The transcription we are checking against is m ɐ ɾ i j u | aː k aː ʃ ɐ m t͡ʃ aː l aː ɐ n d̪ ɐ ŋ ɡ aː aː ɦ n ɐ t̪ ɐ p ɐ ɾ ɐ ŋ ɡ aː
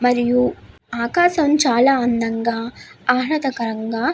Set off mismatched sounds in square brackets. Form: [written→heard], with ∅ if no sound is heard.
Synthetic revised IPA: m ɐ ɾ i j u | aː k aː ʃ ɐ m t͡ʃ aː l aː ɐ n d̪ ɐ ŋ ɡ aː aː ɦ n ɐ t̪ ɐ [p→k] ɐ ɾ ɐ ŋ ɡ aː